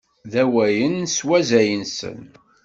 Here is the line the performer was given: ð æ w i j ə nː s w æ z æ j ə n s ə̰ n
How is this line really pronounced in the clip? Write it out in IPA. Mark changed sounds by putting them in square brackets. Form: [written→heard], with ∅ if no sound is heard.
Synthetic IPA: ð æ w [i→æ] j ə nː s w æ z æ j ə n s ə̰ n